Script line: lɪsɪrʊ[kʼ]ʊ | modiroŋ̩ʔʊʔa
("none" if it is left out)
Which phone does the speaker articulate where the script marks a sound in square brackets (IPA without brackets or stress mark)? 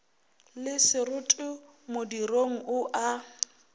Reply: tʼ